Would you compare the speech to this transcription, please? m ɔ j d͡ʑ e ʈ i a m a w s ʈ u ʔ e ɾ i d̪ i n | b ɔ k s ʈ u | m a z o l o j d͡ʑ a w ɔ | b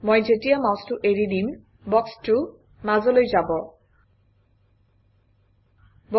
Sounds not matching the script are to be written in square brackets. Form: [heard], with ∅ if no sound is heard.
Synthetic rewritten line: m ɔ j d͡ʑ e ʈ i a m a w s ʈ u ʔ e ɾ i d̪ i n | b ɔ k s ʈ u | m a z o l o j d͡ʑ a [b] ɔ | b

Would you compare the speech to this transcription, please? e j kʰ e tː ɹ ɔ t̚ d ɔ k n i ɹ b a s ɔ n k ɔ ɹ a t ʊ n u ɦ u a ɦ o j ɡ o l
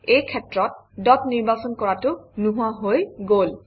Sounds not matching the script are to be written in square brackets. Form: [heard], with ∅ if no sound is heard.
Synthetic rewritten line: e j kʰ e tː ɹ ɔ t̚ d ɔ [t] n i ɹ b a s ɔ n k ɔ ɹ a t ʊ n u ɦ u a ɦ o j ɡ o l

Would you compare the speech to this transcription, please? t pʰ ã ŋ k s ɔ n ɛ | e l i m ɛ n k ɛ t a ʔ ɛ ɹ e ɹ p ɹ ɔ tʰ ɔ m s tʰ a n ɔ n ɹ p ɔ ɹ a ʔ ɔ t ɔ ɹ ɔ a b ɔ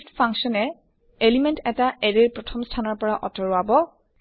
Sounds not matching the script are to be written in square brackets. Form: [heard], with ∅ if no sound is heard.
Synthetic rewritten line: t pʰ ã ŋ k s ɔ n ɛ | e l i m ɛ n [t] ɛ t a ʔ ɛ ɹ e ɹ p ɹ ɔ tʰ ɔ m s tʰ a n ɔ [∅] ɹ p ɔ ɹ a ʔ ɔ t ɔ ɹ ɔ a b ɔ

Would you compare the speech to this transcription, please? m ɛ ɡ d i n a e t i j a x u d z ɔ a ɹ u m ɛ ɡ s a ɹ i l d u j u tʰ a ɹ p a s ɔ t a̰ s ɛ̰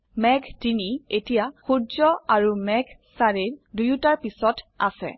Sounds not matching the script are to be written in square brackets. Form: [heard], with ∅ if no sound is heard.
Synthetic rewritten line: m ɛ ɡ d i n [i] e t i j a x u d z ɔ a ɹ u m ɛ ɡ s a ɹ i [ɹ] d u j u [t] a ɹ p [i] s ɔ t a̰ s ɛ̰

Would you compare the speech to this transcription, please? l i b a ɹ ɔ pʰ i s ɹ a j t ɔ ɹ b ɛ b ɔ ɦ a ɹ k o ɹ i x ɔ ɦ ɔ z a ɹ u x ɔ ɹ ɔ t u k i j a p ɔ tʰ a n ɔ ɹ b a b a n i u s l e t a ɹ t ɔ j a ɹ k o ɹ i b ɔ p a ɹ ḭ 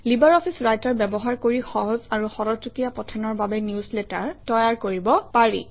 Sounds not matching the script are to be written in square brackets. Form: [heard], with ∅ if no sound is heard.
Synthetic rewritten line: l i b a ɹ ɔ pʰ i s ɹ a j t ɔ ɹ b ɛ b ɔ ɦ a ɹ k o ɹ i x ɔ ɦ ɔ z a ɹ u x ɔ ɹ ɔ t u k i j a p ɔ tʰ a n ɔ ɹ b a b [ɛ] n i u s l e t a ɹ t ɔ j a ɹ k o ɹ i b ɔ p a ɹ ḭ

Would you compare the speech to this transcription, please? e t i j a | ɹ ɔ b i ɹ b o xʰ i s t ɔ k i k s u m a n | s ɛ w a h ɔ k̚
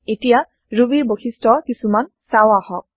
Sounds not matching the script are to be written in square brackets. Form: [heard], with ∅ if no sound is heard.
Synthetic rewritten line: e t i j a | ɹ [u] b i ɹ b o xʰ i s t ɔ k i [∅] s u m a n | s [a] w a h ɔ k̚

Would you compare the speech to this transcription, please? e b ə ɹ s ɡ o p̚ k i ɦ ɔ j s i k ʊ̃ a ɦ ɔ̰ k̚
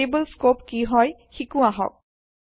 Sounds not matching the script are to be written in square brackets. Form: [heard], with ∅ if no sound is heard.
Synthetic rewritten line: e b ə [l] s [k] o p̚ k i ɦ ɔ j [x] i k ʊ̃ a ɦ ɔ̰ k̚

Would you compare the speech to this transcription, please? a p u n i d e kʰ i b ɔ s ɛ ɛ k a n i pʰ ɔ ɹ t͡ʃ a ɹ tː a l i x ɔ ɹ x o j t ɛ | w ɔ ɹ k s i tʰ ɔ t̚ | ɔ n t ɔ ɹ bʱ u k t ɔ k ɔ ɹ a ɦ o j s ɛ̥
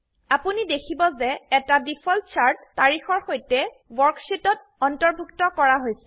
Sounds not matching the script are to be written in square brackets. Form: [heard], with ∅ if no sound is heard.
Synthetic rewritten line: a p u n i d e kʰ i b ɔ [z] ɛ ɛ [t] a [d] i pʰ ɔ [l] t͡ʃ a ɹ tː a [ɹ] i x ɔ ɹ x o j t ɛ | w ɔ ɹ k s i [t] ɔ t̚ | ɔ n t ɔ ɹ bʱ u k t ɔ k ɔ ɹ a ɦ o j s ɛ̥

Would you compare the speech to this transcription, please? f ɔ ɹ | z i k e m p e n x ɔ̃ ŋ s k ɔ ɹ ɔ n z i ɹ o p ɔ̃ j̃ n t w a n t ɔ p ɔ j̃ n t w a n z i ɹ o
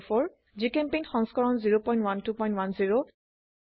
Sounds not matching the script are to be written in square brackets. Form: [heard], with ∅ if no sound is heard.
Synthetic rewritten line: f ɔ ɹ | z i k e m p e n x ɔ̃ ŋ s k ɔ ɹ ɔ n z i ɹ o p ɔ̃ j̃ n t w a n t [u] p ɔ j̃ n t w a n z i ɹ o

